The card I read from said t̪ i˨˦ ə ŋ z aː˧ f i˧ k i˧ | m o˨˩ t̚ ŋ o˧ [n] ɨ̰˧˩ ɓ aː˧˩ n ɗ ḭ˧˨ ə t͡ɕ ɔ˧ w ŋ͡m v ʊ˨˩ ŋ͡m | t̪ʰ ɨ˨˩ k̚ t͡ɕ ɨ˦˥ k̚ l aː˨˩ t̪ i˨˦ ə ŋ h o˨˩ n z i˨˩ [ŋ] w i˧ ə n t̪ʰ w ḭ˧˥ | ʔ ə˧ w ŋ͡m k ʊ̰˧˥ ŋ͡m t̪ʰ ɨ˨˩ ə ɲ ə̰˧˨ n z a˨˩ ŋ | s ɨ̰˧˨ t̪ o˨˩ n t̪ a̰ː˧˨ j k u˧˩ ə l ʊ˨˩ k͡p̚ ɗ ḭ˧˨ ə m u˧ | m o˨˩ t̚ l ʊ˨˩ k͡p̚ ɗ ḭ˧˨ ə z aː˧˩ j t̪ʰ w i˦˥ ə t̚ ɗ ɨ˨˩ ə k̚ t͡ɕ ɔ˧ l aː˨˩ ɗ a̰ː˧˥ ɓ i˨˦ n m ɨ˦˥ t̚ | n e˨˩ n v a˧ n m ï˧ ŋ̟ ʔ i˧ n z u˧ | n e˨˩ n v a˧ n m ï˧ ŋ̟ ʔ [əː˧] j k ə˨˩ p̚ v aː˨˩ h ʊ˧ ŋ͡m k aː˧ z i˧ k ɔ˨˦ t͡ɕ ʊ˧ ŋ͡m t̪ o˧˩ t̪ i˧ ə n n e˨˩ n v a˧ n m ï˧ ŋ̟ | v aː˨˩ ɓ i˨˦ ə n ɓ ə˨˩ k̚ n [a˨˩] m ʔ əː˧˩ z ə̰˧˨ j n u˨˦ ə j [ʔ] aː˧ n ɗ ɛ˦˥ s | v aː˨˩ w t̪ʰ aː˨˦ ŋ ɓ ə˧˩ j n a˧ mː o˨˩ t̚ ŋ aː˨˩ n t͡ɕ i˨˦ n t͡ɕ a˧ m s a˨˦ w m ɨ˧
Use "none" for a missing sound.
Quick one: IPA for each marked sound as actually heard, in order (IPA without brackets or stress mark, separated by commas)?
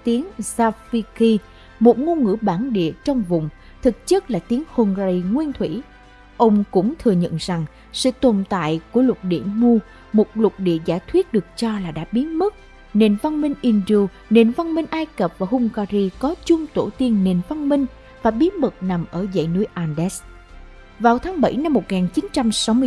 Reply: ŋ, ŋ, aː˧, a˨˩, ʔ